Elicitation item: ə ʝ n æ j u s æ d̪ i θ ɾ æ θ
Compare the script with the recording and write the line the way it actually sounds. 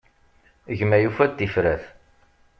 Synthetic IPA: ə ʝ m æ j u f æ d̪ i f ɾ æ θ